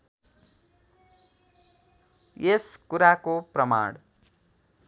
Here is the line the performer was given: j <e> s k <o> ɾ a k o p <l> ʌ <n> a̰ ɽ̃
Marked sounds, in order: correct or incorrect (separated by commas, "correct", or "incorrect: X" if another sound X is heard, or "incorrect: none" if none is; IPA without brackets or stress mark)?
correct, incorrect: u, incorrect: r, incorrect: m